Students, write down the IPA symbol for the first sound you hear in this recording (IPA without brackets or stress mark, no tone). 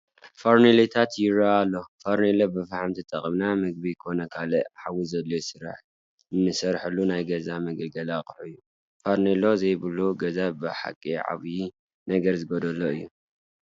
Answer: f